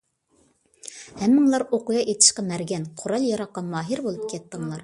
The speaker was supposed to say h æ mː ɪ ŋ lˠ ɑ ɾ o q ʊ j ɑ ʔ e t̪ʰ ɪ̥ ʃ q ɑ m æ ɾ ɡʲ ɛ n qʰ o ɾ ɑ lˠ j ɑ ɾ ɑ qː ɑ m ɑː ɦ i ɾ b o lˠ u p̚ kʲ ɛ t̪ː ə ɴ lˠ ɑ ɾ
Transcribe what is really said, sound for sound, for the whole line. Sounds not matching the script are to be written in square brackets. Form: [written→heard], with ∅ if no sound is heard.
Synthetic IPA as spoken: h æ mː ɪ ŋ lˠ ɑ ɾ o q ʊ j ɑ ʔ e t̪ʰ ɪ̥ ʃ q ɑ m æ ɾ ɡʲ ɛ n qʰ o ɾ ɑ lˠ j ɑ ɾ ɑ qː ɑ m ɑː ɦ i ɾ b o lˠ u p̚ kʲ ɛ t̪ː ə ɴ lˠ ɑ ɾ

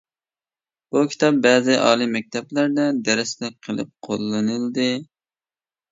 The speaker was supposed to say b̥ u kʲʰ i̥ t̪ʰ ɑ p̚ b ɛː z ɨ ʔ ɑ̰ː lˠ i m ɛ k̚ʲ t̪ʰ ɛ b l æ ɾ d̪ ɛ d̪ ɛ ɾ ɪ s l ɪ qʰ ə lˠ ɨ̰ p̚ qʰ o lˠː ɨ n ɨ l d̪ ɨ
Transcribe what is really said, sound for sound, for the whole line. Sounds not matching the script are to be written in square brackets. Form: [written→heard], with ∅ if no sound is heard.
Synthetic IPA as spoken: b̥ u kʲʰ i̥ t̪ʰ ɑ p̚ b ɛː z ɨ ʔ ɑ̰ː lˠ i m ɛ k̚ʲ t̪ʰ ɛ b l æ ɾ d̪ ɛ d̪ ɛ ɾ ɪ s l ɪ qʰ ə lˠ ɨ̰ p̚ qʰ o lˠː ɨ n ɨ l d̪ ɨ

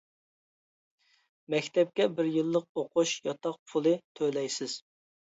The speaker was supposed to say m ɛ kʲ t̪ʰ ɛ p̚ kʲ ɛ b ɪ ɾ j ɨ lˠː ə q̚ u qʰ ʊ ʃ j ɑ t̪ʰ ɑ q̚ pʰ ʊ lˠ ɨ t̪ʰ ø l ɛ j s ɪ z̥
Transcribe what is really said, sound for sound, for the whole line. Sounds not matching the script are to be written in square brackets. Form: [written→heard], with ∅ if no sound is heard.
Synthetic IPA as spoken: m ɛ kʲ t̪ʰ ɛ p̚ kʲ ɛ b ɪ ɾ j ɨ lˠː ə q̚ [u→o] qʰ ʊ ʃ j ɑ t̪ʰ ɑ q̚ pʰ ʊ lˠ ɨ t̪ʰ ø l ɛ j s ɪ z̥

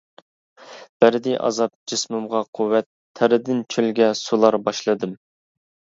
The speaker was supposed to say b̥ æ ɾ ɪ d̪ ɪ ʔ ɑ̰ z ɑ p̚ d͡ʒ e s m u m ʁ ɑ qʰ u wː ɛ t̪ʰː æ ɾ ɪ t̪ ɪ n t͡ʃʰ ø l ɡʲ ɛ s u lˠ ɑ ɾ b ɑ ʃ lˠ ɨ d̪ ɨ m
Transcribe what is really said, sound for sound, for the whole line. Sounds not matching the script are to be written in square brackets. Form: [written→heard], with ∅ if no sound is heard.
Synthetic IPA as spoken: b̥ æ ɾ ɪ d̪ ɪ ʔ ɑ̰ z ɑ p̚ d͡ʒ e s m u m ʁ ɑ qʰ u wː ɛ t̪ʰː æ ɾ ɪ [t̪→d̪] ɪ n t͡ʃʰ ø l ɡʲ ɛ s u lˠ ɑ ɾ b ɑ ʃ lˠ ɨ d̪ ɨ m

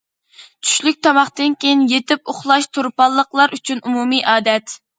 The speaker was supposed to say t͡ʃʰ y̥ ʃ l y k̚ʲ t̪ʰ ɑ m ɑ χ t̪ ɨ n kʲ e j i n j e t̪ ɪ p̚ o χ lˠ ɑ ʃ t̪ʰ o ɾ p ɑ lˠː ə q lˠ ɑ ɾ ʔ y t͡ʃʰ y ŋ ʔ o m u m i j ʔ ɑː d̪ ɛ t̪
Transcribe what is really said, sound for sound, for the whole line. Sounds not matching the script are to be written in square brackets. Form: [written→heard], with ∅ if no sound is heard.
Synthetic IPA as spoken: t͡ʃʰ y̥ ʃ l y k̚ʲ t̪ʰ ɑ m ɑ χ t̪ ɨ n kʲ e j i n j e t̪ ɪ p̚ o χ lˠ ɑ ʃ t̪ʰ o ɾ p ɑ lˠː ə q lˠ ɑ ɾ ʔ y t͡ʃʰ y [ŋ→n] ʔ [o→u] m u m i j ʔ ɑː d̪ ɛ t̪

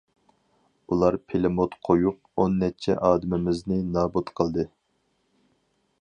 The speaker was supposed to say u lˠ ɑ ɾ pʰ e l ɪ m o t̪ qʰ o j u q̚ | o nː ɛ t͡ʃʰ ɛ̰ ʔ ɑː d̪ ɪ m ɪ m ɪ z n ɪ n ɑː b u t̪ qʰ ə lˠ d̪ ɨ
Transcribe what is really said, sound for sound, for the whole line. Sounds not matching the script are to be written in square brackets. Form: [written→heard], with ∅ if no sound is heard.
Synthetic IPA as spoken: u lˠ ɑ ɾ pʰ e l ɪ m o t̪ qʰ o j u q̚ | o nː ɛ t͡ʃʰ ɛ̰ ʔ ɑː d̪ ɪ m ɪ m ɪ z n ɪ n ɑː b u t̪ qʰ ə lˠ d̪ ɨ

